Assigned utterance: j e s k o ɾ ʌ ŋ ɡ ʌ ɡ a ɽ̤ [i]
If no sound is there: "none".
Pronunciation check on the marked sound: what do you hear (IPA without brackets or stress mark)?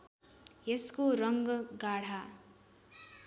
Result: a